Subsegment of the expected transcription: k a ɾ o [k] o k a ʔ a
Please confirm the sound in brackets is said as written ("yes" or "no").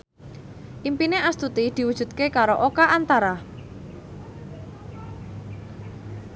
no